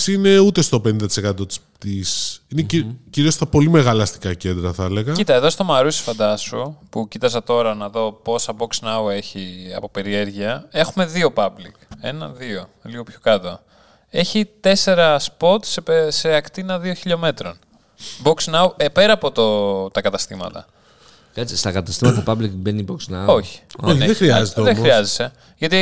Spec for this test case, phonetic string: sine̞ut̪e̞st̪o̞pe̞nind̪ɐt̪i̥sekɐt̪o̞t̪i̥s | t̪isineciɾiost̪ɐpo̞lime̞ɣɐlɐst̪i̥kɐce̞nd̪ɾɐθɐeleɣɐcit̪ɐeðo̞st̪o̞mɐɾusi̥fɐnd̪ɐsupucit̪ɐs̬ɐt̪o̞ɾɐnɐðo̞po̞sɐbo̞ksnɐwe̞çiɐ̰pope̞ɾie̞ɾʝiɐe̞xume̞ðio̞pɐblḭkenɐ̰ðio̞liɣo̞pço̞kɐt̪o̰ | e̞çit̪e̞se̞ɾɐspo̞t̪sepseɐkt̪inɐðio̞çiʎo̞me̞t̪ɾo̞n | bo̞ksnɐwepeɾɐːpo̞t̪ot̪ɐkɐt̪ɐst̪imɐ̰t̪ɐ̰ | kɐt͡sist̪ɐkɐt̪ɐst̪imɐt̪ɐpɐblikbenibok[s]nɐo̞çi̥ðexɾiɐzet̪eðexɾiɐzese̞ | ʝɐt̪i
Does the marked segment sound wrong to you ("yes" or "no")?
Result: no